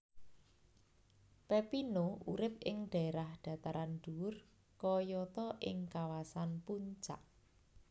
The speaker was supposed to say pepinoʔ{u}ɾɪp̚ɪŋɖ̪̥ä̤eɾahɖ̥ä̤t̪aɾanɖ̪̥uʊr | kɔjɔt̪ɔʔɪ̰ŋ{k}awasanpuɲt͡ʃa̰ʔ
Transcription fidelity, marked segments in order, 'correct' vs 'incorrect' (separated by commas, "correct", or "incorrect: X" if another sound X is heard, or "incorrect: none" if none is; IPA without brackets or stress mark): correct, correct